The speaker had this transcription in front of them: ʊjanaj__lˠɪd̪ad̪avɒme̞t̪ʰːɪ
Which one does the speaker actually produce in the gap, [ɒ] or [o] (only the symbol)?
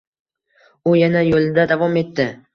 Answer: o